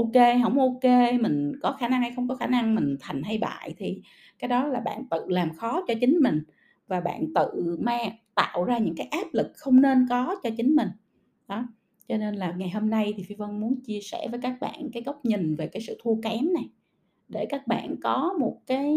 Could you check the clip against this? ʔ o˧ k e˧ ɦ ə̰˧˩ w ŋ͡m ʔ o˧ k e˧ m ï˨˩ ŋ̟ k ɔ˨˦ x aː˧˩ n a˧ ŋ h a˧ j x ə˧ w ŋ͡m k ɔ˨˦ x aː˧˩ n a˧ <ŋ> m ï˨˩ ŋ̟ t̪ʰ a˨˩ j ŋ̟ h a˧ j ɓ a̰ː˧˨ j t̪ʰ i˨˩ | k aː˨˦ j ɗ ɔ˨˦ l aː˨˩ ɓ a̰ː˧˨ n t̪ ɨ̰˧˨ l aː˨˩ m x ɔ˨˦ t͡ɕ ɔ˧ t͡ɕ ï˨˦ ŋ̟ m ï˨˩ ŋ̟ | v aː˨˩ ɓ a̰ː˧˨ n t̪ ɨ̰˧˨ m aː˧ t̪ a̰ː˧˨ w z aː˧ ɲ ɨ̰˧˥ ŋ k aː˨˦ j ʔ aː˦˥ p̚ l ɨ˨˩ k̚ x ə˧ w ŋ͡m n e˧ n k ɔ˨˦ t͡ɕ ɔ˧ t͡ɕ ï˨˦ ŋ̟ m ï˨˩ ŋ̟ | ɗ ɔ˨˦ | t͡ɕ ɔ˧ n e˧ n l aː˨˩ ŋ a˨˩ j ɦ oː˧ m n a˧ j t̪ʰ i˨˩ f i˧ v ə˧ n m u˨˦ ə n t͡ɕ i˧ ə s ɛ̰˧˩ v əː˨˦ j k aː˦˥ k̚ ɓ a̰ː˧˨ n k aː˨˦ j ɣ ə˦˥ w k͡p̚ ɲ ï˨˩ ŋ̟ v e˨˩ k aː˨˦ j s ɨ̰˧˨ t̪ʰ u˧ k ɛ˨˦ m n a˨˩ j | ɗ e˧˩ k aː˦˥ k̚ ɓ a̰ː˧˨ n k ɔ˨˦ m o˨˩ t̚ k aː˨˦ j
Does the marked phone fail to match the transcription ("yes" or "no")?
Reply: no